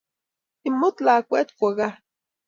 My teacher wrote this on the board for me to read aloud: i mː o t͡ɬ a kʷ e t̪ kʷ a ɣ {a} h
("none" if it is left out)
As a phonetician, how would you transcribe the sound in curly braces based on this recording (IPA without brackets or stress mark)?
a